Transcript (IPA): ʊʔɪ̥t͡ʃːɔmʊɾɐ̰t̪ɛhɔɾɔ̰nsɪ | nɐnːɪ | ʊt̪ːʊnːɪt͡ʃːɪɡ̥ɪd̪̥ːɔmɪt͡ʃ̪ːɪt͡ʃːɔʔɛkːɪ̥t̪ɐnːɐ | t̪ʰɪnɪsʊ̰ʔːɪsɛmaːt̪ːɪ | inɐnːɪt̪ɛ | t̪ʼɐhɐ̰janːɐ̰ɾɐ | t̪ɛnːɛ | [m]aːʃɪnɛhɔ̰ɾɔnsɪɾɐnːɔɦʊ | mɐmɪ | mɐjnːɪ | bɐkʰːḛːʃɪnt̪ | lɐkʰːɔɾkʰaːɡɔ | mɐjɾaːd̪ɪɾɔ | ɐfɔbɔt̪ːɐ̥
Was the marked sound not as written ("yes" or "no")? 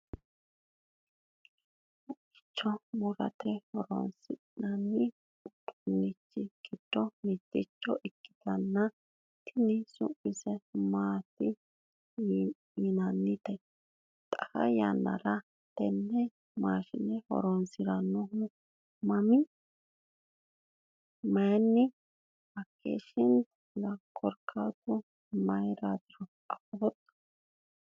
no